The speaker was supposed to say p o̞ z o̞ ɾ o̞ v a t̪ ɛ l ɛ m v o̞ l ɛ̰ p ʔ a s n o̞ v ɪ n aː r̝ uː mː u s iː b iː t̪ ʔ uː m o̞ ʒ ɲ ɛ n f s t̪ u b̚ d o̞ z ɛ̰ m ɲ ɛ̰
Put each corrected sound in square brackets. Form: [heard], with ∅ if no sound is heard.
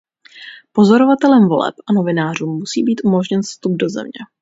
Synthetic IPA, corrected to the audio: p o̞ z o̞ ɾ o̞ v a t̪ ɛ l ɛ m v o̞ l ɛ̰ p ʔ a [∅] n o̞ v ɪ n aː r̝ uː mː u s iː b iː t̪ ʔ [u] m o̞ ʒ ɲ ɛ n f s t̪ u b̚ d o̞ z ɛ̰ m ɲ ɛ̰